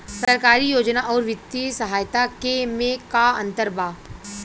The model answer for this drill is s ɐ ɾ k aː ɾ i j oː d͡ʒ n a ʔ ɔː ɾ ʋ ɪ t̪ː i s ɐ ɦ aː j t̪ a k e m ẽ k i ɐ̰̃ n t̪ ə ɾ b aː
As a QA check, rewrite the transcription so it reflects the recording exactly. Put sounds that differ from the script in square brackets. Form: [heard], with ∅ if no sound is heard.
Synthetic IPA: s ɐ ɾ k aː ɾ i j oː d͡ʒ n a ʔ ɔː ɾ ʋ ɪ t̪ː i s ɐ ɦ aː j t̪ a k e m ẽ k [a] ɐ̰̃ n t̪ ə ɾ b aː